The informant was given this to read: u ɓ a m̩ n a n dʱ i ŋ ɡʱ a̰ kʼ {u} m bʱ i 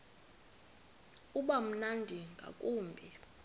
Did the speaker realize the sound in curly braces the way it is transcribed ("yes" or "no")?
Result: no